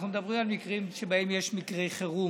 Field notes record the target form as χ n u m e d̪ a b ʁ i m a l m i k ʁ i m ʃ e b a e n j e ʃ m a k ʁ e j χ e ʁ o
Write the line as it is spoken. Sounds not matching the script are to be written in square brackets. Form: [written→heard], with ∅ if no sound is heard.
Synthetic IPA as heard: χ n u m e d̪ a b ʁ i m a l m i k ʁ i m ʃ e b a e [n→m] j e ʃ m [a→i] k ʁ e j χ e ʁ [o→u]

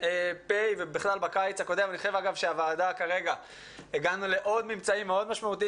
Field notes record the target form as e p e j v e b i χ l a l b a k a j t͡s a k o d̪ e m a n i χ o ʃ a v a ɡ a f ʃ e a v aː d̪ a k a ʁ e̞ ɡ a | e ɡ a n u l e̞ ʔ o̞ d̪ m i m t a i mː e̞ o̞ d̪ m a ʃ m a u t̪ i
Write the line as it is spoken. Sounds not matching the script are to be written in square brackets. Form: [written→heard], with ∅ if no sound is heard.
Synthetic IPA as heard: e p e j v e b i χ l a l b a k a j t͡s a k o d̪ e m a n i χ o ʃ [a→e] v a ɡ a [f→v] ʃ e a v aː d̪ a k a ʁ e̞ ɡ a | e ɡ a n u l e̞ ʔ o̞ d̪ m i m [t→t͡s] a i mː e̞ o̞ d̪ m a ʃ m a u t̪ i

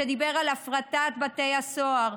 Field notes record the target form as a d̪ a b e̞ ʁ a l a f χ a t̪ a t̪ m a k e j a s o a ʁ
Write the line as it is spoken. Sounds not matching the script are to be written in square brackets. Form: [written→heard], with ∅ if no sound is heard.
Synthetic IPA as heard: [a→e] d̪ [a→i] b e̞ ʁ a l a f [χ→ʁ] a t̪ a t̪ [m→b] a [k→t] e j a s o a ʁ

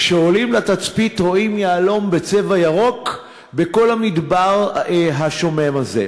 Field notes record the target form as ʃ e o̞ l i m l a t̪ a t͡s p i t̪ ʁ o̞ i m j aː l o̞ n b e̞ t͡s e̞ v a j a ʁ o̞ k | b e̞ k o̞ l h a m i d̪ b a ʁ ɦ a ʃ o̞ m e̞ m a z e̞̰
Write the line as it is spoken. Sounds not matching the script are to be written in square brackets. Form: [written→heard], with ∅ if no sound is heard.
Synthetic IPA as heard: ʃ e o̞ l i m l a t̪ a t͡s p i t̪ ʁ o̞ i m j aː l o̞ [n→m] b e̞ t͡s e̞ v a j a ʁ o̞ k | b e̞ k o̞ l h a m i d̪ b a ʁ ɦ a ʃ o̞ m e̞ m a z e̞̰

